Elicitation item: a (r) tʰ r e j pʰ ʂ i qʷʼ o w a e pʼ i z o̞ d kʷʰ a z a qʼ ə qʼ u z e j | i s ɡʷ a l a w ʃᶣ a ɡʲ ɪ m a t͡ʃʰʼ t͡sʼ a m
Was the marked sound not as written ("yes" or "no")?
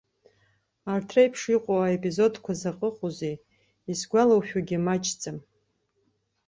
no